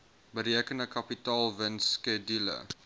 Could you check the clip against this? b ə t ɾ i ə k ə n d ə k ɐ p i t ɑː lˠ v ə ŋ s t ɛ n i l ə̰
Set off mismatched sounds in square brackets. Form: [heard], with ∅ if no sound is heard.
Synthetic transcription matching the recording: b ə [∅] ɾ i ə k ə n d ə k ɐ p i t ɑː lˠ v ə [n] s [k] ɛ [d] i l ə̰